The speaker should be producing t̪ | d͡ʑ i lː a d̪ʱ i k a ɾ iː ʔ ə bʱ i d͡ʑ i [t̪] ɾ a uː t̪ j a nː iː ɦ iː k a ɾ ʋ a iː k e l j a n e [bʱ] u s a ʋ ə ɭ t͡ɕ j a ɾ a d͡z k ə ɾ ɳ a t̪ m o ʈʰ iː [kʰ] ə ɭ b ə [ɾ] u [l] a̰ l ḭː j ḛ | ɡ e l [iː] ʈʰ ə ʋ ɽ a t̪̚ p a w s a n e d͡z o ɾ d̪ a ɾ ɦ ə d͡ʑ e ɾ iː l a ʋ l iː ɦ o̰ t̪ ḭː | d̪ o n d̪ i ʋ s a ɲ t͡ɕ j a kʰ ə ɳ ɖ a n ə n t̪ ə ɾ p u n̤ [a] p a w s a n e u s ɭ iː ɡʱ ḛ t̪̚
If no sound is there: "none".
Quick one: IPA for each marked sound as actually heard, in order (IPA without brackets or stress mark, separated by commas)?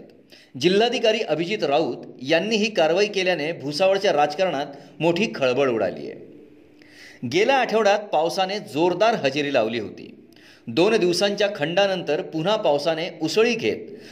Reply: t̪, bʱ, kʰ, ɭ, ɽ, aː, a